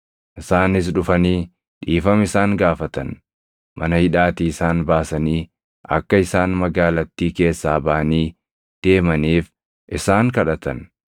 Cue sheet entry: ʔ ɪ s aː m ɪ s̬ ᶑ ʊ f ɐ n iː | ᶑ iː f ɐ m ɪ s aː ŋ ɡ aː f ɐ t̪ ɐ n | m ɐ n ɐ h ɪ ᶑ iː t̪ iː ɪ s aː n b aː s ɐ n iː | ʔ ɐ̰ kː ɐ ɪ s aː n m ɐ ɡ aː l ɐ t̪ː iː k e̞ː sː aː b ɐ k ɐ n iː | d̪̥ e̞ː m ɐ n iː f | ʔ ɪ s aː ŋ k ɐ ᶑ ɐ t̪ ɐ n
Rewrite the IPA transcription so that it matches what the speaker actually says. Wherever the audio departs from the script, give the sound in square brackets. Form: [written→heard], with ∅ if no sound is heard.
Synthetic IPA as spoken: ʔ ɪ s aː [m→n] ɪ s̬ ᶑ ʊ f ɐ n iː | ᶑ iː f ɐ m ɪ s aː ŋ ɡ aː f ɐ t̪ ɐ n | m ɐ n ɐ h ɪ ᶑ [iː→aː] t̪ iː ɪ s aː n b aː s ɐ n iː | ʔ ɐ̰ kː ɐ ɪ s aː n m ɐ ɡ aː l ɐ t̪ː iː k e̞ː sː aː b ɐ [k→ʔ] ɐ n iː | d̪̥ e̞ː m ɐ n iː f | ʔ ɪ s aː ŋ k ɐ ᶑ ɐ t̪ ɐ n